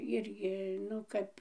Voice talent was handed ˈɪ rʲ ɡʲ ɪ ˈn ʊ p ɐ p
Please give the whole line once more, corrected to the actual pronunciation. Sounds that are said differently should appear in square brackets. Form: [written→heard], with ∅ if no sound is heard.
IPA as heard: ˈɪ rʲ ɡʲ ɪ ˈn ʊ [p→k] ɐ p